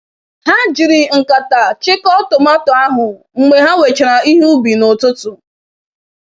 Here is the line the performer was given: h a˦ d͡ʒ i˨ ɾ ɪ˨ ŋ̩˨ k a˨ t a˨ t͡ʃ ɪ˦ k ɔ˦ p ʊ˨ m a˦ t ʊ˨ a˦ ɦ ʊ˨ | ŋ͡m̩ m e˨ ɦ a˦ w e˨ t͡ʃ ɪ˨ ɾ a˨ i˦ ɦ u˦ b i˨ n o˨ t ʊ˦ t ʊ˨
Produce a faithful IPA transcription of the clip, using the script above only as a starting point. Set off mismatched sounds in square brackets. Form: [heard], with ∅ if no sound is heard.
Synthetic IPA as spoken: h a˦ d͡ʒ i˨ ɾ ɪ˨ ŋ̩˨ k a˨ t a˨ t͡ʃ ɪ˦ k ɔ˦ [t] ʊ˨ m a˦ t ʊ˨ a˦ ɦ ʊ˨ | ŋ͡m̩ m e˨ ɦ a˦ w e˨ t͡ʃ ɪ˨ ɾ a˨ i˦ ɦ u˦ b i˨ n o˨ t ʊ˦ t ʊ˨